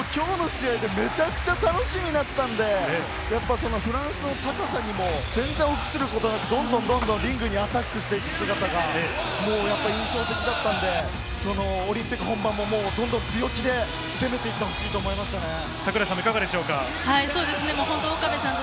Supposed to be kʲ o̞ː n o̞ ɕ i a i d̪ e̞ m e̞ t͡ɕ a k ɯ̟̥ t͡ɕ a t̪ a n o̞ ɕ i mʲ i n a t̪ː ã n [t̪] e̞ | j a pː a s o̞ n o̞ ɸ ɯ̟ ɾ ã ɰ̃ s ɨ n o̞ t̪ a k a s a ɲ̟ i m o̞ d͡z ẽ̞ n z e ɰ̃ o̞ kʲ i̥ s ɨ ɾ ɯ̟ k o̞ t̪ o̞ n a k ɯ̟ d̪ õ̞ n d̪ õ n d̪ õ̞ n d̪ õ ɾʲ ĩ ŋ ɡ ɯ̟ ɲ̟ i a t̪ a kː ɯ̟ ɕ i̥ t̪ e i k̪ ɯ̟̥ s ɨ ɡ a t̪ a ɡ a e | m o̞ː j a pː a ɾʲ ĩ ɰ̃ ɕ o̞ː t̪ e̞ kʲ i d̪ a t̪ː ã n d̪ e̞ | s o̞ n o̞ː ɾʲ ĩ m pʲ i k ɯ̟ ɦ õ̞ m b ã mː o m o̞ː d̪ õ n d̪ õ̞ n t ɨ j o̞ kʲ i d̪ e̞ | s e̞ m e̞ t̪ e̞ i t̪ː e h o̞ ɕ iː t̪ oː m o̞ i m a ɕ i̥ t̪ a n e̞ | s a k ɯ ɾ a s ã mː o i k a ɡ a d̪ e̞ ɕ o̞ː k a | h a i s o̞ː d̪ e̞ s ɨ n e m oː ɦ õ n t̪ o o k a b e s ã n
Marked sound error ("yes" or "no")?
yes